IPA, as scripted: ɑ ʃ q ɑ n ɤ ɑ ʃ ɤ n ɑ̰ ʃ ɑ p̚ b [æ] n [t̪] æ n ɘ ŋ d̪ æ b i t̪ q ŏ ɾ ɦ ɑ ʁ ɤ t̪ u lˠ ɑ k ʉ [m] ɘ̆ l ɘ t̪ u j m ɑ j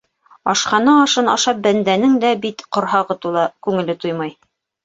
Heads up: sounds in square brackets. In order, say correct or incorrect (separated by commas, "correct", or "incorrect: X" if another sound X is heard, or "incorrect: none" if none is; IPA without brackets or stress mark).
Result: correct, incorrect: d̪, incorrect: ŋ